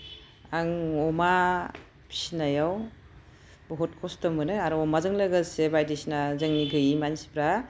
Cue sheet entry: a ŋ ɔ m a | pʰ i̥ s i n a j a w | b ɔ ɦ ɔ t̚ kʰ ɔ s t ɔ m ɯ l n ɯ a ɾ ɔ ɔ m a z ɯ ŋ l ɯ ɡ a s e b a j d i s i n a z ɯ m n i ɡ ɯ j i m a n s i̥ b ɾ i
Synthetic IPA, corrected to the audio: a ŋ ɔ m a | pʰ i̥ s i n a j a w | b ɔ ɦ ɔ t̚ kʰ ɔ s t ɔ m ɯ n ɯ a ɾ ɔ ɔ m a z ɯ ŋ l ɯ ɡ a s e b a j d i s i n a z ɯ ŋ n i ɡ ɯ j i m a n s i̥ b ɾ a

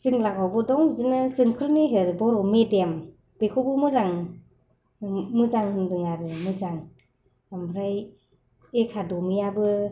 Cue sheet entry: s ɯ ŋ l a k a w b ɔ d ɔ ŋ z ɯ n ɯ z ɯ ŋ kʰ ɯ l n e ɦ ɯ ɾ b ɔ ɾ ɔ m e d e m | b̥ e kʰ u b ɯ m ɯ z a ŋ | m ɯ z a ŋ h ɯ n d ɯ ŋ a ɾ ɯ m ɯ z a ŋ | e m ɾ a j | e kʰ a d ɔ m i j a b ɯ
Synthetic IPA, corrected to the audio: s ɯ ŋ l a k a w b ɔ d ɔ ŋ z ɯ n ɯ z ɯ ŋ kʰ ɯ l n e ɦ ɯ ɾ b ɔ ɾ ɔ m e d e m | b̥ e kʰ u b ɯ m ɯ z a ŋ | m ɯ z a ŋ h ɯ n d ɯ ŋ a ɾ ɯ m ɯ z a ŋ | a m ɾ a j | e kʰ a d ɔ m i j a b ɯ

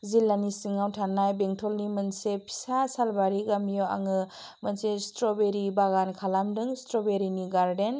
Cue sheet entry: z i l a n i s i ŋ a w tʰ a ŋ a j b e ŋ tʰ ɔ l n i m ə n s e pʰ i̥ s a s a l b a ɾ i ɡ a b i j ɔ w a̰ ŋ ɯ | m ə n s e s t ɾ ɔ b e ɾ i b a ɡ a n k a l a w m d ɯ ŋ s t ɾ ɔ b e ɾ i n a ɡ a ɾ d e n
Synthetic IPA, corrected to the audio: z i l a n i s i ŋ a w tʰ a n a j b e ŋ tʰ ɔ l n i m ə n s e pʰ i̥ s a s a l b a ɾ i ɡ a m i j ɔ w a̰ ŋ ɯ | m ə n s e s t ɾ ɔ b e ɾ i b a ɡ a n kʰ a l a m d ɯ ŋ s t ɾ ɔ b e ɾ i n i ɡ a ɾ d e n

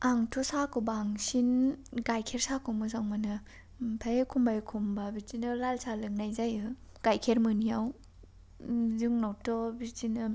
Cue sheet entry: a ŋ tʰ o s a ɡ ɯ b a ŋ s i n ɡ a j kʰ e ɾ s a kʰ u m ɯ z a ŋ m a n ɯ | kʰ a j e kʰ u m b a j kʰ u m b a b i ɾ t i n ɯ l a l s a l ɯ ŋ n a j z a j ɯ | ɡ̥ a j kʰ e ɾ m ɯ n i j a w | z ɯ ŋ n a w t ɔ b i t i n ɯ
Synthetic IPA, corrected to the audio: a ŋ tʰ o s a k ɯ b a ŋ s i n ɡ a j kʰ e ɾ s a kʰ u m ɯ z a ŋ m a n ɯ | pʰ a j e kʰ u m b a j kʰ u m b a b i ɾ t i n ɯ l a l s a l ɯ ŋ n a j z a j ɯ | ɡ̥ a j kʰ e ɾ m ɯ n i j a w | z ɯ ŋ n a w t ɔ b i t i n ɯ

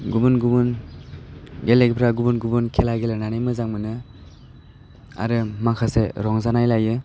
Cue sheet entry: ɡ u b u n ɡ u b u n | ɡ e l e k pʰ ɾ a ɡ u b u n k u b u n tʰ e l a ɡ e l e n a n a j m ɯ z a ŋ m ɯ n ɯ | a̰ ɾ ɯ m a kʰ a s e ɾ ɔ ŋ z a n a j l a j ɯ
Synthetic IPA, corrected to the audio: ɡ u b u n ɡ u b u n | ɡ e l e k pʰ ɾ a ɡ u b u n ɡ u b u n kʰ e l a ɡ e l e n a n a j m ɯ z a ŋ m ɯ n ɯ | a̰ ɾ ɯ m a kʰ a s e ɾ ɔ ŋ z a n a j l a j ɯ

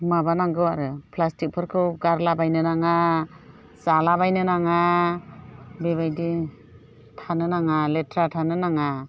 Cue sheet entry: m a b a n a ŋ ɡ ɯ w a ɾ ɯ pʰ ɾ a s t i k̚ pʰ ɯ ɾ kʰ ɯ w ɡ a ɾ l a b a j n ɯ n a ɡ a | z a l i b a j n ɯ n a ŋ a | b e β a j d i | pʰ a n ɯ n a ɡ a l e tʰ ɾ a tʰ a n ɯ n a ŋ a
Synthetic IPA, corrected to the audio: m a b a n a ŋ ɡ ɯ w a ɾ ɯ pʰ l a s t i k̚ pʰ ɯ ɾ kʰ ɯ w ɡ a ɾ l a b a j n ɯ n a ŋ a | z a l a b a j n ɯ n a ŋ a | b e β a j d i | tʰ a n ɯ n a ŋ a l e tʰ ɾ a tʰ a n ɯ n a ŋ a

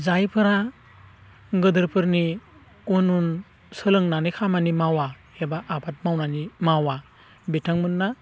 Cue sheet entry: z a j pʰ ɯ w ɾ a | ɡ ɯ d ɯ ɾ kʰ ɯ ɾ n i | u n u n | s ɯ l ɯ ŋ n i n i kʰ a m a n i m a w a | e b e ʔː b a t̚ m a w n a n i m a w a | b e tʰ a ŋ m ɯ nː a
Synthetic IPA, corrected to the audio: z a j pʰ ɯ ɾ a | ɡ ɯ d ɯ ɾ pʰ ɯ ɾ n i | u n u n | s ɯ l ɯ ŋ n a n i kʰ a m a n i m a w a | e b a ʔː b a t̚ m a w n a n i m a w a | b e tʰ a ŋ m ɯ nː a

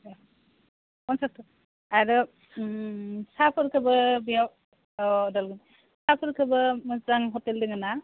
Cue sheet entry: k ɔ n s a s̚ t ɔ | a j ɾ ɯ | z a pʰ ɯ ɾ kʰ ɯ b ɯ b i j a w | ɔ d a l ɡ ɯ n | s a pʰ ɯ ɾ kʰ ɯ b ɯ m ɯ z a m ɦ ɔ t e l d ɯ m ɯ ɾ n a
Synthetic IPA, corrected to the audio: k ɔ n s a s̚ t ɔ | a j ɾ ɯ | s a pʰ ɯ ɾ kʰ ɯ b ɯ b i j a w | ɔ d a l ɡ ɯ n | s a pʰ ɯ ɾ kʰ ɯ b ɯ m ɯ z a ŋ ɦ ɔ t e l d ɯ ŋ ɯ n a

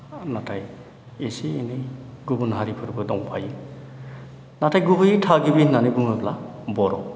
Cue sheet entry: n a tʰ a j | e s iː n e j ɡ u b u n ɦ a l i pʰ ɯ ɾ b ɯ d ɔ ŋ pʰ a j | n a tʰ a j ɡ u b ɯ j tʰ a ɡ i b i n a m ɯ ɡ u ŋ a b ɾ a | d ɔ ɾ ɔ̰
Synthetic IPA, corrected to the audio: n a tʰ a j | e s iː n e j ɡ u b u n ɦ a ɾ i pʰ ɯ ɾ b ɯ d ɔ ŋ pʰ a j | n a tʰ a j ɡ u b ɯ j tʰ a ɡ i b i n a n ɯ ɡ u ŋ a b l a | b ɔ ɾ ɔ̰

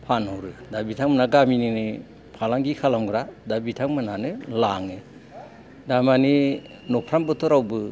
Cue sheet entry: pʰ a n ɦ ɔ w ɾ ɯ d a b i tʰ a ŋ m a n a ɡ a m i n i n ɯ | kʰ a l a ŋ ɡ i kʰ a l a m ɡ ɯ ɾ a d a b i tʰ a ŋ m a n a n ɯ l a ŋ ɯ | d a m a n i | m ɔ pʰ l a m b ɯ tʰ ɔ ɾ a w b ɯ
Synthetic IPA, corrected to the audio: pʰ a n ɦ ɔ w ɾ ɯ d a b i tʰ a ŋ m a n a ɡ a m i n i n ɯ | pʰ a l a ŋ ɡ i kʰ a l a m ɡ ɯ ɾ a d a b i tʰ a ŋ m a n a n ɯ l a ŋ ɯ | d a m a n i | n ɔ pʰ ɾ a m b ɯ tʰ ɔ ɾ a w b ɯ

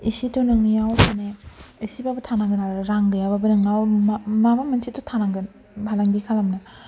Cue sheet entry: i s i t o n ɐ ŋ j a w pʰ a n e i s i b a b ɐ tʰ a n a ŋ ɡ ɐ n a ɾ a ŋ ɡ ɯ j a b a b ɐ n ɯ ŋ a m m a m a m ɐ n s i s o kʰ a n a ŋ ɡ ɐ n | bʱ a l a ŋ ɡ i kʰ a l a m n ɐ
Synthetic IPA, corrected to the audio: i s i t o n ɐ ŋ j a w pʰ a n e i s i b a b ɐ tʰ a n a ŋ ɡ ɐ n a ɾ a ŋ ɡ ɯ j a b a b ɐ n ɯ ŋ a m m a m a m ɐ n s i t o tʰ a n a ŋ ɡ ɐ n | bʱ a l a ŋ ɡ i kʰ a l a m n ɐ

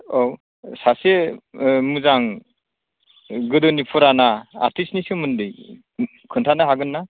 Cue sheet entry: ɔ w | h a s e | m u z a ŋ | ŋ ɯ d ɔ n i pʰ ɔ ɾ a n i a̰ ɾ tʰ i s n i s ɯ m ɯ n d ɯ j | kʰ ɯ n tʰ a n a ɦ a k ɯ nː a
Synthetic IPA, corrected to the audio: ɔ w | s a s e | m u z a ŋ | ɡ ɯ d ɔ n i pʰ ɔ ɾ a n a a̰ ɾ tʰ i s n i s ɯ m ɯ n d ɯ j | kʰ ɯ n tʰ a n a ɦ a ɡ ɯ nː a

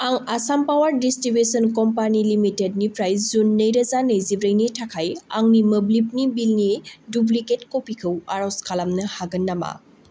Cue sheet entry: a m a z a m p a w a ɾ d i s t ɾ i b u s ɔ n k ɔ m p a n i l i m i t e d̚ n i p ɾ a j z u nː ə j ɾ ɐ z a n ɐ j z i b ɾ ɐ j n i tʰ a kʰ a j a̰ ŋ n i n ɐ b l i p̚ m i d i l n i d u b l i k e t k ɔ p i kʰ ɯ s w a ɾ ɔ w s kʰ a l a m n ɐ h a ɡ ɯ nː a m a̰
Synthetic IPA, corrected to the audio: a ŋ a s a m p a w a ɾ d i s t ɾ i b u s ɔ n k ɔ m p a n i l i m i t e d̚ n i p ɾ a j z u nː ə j ɾ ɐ z a n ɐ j z i b ɾ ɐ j n i tʰ a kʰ a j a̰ ŋ n i m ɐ b l i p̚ n i b i l n i d u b l i k e t k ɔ p i kʰ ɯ w a ɾ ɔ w s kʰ a l a m n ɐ h a ɡ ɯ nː a m a̰

